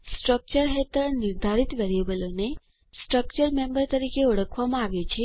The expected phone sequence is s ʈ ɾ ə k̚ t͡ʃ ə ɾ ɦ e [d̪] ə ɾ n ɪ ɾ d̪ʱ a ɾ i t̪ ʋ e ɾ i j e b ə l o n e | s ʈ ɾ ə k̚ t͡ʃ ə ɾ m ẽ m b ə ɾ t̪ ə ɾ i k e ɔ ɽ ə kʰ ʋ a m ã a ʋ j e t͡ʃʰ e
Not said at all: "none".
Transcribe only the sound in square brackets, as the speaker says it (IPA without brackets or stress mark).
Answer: t̪